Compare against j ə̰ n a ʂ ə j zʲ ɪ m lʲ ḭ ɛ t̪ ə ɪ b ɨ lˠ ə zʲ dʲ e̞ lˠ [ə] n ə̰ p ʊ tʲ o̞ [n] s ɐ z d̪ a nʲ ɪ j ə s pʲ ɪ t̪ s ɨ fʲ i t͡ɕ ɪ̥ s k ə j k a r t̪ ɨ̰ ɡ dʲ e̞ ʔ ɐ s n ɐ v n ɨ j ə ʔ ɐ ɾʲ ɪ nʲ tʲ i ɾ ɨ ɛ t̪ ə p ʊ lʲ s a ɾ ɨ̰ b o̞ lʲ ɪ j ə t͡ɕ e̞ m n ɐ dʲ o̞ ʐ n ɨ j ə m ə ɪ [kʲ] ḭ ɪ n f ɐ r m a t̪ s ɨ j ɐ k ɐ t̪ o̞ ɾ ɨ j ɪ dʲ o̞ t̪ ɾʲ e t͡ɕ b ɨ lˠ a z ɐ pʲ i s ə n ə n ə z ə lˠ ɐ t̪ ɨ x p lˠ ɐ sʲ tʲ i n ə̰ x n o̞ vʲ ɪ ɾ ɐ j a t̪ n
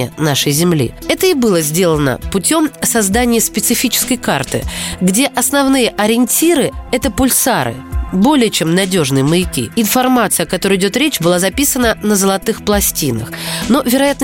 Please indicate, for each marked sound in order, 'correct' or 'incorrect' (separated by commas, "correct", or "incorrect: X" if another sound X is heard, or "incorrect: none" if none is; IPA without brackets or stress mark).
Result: correct, incorrect: m, correct